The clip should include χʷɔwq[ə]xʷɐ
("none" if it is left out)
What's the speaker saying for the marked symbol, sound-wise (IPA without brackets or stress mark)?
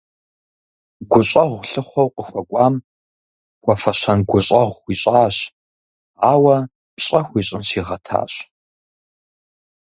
ə